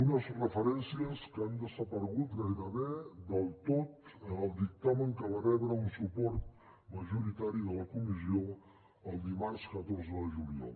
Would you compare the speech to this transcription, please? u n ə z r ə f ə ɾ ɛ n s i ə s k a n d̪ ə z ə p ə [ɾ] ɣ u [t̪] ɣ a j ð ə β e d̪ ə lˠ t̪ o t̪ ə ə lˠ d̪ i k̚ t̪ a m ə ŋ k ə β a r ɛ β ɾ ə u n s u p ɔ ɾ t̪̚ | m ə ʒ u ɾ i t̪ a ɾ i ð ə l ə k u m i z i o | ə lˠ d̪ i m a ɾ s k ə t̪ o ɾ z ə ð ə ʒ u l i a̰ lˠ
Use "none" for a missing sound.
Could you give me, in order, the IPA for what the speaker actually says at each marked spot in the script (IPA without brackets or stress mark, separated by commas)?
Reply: ɾ, t̪